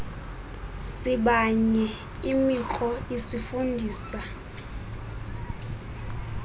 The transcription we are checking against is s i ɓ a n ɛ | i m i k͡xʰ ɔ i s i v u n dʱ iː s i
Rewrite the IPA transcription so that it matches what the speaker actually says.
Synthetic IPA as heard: s i ɓ a ɲ ɛ | i m i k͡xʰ ɔ i s i f u n dʱ iː s a